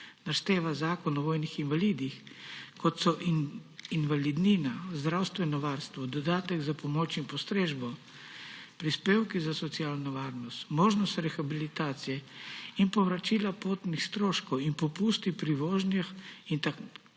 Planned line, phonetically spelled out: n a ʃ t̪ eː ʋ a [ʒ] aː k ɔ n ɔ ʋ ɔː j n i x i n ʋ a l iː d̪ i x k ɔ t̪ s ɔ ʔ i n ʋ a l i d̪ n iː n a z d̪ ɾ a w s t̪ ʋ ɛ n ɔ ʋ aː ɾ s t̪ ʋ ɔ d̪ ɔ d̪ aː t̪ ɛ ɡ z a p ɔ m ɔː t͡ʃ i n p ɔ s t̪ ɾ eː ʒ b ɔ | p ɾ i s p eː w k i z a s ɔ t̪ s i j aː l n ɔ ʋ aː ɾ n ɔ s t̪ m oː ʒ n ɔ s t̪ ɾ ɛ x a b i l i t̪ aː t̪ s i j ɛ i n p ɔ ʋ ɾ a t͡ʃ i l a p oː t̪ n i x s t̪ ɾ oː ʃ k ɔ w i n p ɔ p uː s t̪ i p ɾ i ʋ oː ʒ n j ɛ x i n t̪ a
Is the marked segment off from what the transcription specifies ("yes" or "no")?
yes